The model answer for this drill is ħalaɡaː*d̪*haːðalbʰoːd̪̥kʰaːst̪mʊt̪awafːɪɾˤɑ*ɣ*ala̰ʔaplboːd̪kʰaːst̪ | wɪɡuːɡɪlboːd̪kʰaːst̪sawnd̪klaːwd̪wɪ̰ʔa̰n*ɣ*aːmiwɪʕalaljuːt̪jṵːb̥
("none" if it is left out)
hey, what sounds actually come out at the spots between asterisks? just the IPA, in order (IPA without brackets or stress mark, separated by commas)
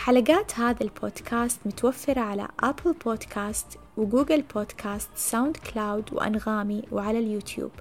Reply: t̪, ʕ, ɣ